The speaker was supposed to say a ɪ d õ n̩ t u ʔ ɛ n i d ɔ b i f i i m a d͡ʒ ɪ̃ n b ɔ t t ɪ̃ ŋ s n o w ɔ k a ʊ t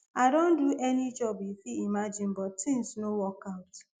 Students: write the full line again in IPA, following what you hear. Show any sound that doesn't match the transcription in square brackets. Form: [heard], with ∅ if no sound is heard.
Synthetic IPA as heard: a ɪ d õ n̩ [d] u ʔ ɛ n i [d͡ʒ] ɔ b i f i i m a d͡ʒ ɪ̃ n b ɔ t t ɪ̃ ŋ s n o w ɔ k a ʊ t